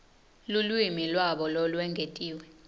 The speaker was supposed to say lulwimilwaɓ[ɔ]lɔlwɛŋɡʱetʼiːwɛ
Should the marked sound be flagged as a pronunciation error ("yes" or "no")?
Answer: no